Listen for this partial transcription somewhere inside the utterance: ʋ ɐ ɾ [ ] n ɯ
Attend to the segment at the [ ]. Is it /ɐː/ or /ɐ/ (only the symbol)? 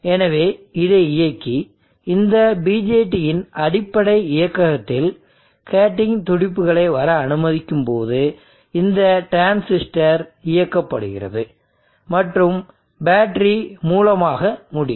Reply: ɐː